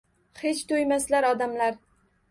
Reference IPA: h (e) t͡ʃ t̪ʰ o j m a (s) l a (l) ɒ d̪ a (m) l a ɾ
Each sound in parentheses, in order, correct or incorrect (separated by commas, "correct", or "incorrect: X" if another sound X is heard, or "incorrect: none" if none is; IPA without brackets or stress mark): correct, correct, incorrect: ɾ, correct